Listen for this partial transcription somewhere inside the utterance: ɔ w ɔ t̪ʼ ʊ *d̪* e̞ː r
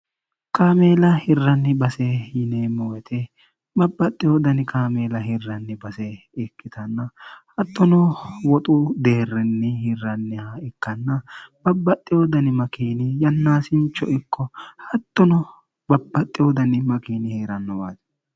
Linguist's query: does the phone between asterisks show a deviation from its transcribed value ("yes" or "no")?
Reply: no